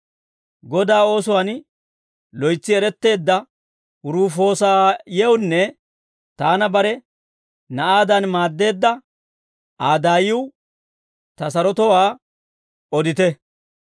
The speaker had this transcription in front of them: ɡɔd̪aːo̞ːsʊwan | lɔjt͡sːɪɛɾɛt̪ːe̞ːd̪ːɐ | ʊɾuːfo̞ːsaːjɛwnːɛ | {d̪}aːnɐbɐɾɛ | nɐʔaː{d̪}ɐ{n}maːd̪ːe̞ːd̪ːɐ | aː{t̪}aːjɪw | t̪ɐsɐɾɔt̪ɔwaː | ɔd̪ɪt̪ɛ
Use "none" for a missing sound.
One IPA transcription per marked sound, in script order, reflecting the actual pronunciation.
t̪, d̪, n, d̪

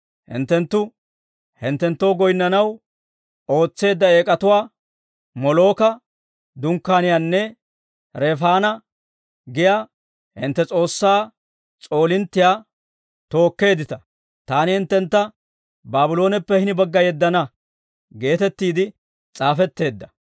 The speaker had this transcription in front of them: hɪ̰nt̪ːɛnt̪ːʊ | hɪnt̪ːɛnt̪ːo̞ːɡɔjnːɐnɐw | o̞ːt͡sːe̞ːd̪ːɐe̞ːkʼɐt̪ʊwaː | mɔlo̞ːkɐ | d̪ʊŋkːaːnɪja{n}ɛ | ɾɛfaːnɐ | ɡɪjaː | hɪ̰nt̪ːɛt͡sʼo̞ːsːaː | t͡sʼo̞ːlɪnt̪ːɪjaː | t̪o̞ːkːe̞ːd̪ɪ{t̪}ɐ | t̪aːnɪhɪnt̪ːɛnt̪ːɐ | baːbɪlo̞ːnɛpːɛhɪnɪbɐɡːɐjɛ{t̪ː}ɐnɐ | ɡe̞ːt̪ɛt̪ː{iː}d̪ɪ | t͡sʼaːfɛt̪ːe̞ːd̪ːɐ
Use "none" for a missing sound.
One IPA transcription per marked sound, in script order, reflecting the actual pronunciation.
nː, t̪, d̪ː, iː

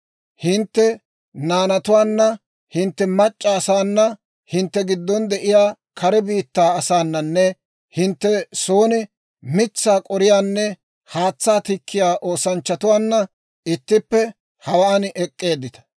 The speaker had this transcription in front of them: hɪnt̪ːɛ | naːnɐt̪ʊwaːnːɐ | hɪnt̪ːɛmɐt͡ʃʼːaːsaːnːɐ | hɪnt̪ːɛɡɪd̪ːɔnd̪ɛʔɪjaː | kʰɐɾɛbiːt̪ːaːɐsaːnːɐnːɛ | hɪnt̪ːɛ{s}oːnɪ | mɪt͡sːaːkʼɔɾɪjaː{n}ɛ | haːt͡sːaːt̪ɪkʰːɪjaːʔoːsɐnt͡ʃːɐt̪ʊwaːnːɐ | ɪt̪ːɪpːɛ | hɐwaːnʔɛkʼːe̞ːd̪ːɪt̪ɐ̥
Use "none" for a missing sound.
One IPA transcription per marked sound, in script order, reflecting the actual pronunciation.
s, nː

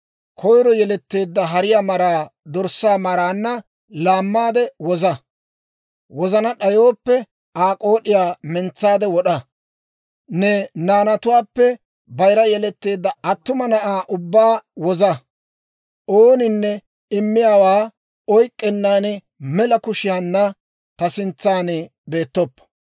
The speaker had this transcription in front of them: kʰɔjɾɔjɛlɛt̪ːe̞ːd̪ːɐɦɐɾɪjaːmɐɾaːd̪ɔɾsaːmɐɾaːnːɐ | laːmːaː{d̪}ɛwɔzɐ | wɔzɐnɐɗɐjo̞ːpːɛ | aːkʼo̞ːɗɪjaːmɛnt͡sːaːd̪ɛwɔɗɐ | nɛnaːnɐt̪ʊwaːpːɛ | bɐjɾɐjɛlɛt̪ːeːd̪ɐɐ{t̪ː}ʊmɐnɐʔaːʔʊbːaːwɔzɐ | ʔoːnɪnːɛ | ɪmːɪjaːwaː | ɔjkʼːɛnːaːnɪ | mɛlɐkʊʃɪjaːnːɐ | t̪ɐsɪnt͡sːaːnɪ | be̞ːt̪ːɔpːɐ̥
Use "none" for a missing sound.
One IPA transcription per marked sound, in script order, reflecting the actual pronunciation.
d̪, t̪ː

